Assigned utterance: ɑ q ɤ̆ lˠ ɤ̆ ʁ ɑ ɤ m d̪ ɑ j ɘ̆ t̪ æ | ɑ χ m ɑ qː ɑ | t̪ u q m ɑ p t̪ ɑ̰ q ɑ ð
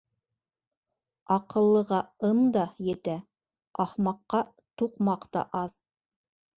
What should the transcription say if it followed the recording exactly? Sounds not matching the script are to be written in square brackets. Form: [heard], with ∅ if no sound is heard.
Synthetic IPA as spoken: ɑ q ɤ̆ [lˠː] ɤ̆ ʁ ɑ ɤ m d̪ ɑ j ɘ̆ t̪ æ | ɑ χ m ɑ qː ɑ | t̪ u q m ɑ [q] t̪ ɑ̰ [ʔ] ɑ ð